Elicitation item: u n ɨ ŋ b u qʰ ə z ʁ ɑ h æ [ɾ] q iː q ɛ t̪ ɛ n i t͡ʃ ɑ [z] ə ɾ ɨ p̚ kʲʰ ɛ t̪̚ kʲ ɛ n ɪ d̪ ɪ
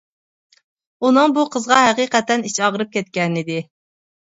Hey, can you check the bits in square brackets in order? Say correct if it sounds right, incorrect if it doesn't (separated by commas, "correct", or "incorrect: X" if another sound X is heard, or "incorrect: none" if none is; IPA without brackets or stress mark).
incorrect: none, incorrect: ʁ